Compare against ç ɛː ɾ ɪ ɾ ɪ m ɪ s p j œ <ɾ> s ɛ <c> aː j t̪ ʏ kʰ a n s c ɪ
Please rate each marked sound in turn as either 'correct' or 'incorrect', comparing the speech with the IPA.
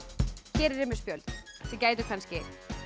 incorrect: l, correct

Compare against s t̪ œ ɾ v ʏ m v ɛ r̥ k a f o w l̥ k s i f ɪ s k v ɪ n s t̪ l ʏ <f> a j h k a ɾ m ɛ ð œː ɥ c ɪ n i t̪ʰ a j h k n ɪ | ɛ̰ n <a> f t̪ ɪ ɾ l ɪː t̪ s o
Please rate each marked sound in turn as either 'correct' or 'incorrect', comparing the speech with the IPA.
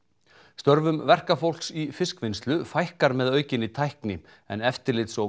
correct, incorrect: ɛ

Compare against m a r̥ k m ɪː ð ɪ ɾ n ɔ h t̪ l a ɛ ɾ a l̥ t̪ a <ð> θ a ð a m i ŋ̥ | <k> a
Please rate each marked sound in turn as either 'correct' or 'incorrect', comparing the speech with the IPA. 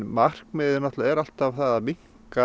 incorrect: v, correct

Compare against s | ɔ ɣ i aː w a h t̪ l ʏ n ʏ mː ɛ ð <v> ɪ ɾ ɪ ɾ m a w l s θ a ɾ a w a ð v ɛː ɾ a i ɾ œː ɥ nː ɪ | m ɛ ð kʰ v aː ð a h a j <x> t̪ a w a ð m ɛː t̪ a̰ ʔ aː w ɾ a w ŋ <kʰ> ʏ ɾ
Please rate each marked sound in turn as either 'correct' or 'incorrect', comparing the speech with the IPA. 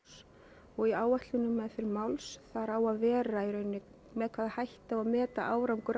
incorrect: f, incorrect: h, incorrect: k

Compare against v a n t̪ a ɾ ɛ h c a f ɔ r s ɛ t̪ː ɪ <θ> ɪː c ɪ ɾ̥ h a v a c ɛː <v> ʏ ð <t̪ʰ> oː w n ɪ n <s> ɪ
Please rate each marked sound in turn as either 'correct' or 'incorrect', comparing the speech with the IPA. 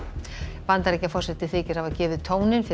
correct, correct, correct, incorrect: f

